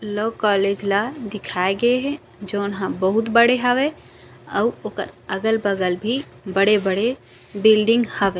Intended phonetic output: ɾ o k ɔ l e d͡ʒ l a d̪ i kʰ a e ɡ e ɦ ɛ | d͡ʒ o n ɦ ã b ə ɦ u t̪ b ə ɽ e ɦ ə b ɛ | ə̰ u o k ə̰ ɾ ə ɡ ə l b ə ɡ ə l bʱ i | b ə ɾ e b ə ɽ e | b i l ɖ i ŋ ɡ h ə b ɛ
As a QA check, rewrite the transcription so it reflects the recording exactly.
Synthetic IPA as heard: l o k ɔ l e d͡ʒ l a d̪ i kʰ a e ɡ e ɦ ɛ | d͡ʒ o n ɦ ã b ə ɦ u t̪ b ə ɽ e ɦ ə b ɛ | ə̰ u o k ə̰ ɾ ə ɡ ə l b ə ɡ ə l bʱ i | b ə ɽ e b ə ɽ e | b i l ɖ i ŋ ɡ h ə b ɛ